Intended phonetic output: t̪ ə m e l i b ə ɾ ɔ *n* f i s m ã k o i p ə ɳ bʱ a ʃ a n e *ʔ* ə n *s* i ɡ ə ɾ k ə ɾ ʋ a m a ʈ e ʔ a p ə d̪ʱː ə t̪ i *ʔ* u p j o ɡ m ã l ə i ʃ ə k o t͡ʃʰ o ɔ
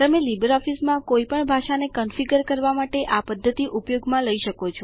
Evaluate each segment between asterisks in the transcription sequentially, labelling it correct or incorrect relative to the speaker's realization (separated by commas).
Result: incorrect, incorrect, incorrect, correct